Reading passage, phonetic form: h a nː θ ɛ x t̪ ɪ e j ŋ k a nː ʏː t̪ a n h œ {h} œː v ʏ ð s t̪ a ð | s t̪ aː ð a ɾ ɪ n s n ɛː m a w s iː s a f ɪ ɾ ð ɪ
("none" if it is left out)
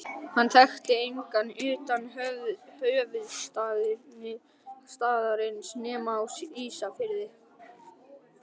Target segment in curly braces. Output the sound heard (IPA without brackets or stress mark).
h